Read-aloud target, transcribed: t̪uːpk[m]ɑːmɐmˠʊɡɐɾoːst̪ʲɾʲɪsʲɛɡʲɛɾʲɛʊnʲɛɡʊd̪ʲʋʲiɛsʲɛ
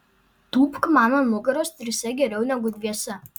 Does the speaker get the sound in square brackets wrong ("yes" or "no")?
no